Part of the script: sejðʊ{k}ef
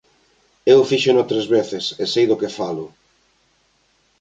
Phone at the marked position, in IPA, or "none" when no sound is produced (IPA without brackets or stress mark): k